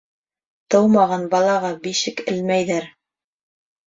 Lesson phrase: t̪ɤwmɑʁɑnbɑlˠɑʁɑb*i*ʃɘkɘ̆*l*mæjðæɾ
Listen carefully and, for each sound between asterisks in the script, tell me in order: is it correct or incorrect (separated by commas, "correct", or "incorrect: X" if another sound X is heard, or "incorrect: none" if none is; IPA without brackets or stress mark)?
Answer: correct, correct